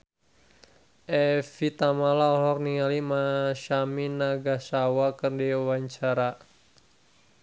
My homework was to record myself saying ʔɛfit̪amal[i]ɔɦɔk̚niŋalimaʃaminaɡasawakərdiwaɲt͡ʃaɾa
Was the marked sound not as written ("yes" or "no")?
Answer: yes